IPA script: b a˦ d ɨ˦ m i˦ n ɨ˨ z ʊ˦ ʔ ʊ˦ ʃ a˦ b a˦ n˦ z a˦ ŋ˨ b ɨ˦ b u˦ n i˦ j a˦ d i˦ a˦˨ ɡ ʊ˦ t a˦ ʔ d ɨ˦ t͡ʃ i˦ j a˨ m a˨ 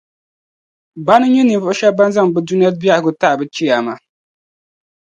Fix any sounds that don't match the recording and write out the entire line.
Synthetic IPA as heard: b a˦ n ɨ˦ ɲ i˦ n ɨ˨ v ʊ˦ ʔ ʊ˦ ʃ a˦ b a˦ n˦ z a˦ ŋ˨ b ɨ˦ d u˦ n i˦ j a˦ b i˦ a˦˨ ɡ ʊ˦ t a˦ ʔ b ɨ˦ t͡ʃ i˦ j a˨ m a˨